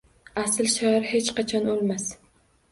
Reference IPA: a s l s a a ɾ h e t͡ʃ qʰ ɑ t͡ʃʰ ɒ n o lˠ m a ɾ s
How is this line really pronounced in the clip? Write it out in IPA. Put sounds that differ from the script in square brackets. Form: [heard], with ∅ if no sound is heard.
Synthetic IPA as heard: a s l [ʃ] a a ɾ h e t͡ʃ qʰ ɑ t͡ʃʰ ɒ n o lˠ m a [∅] s